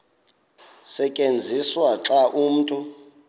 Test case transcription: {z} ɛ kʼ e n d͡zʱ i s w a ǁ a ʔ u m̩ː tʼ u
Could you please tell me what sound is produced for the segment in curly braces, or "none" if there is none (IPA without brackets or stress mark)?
s